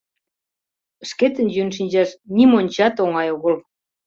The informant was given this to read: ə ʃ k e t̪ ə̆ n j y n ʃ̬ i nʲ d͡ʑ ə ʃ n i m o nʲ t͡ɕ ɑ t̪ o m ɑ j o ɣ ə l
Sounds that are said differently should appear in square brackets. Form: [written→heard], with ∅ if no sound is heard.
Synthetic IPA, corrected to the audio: ə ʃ k e t̪ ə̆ n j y n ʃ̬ i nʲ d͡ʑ [ə→ɑ] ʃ n i m o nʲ t͡ɕ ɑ t̪ o [m→ŋ] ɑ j o ɣ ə l